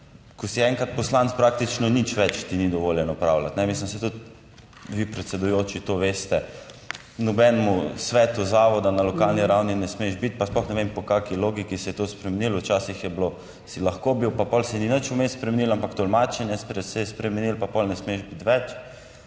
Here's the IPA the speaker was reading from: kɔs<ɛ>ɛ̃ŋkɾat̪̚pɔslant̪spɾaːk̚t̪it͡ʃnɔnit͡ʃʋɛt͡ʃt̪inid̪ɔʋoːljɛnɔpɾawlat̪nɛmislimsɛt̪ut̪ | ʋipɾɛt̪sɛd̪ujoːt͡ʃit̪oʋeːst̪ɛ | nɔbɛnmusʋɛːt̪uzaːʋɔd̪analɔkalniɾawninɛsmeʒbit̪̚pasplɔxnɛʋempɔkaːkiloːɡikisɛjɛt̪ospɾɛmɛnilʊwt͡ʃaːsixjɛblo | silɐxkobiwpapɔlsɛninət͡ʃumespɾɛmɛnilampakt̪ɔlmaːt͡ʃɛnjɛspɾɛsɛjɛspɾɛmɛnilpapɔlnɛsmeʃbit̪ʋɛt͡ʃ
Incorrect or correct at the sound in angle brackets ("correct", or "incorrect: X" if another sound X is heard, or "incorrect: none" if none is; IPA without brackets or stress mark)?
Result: incorrect: i